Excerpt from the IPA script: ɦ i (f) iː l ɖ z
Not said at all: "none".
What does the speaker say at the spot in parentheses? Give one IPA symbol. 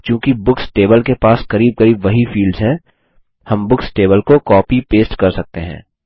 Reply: f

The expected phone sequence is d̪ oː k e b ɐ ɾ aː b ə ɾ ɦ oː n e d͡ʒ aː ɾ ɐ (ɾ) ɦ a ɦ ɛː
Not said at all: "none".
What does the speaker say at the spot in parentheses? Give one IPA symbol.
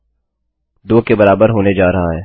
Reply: none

